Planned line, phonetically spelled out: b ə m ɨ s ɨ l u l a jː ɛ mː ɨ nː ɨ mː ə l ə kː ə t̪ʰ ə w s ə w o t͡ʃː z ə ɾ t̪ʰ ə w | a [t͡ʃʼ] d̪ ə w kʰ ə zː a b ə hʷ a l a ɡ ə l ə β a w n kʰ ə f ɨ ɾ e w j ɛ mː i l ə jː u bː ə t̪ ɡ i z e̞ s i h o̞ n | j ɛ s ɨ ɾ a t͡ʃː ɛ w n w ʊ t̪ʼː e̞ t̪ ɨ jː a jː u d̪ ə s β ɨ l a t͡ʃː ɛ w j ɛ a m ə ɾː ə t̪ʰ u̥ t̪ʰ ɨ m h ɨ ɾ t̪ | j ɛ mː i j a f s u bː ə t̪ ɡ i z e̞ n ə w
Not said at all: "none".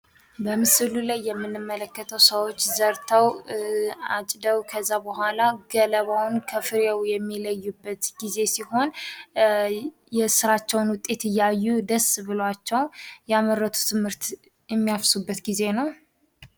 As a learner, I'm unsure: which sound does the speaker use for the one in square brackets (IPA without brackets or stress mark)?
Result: t͡ʃʼ